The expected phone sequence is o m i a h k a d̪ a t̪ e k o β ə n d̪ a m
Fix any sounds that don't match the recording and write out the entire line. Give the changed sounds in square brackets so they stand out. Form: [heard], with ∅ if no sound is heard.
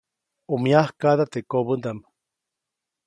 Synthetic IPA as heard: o m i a h k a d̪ a t̪ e k o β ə n d̪ a m